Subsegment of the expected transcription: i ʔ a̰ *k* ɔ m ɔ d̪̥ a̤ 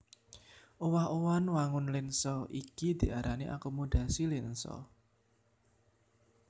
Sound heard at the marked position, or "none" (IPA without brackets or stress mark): k